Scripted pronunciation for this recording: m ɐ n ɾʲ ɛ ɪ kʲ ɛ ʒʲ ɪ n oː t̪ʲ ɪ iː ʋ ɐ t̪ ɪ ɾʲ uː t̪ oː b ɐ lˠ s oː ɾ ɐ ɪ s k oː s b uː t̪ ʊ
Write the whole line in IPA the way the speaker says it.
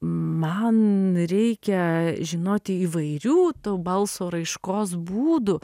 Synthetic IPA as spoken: m ɐ n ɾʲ ɛ ɪ kʲ ɛ ʒʲ ɪ n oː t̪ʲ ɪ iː ʋ ɐ ɪ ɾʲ uː t̪ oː b ɐ lˠ s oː ɾ ɐ ɪ ʃ k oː s b uː d̪ ʊ